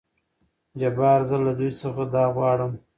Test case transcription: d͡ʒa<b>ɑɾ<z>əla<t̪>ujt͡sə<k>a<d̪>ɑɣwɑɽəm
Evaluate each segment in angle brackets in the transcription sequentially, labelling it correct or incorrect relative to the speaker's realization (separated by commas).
correct, correct, incorrect, incorrect, correct